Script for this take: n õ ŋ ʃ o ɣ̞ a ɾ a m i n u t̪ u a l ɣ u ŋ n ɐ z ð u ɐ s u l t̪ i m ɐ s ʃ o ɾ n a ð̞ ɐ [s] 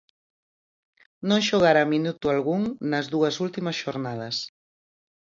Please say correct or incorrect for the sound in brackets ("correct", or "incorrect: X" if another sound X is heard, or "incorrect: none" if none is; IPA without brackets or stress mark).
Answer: correct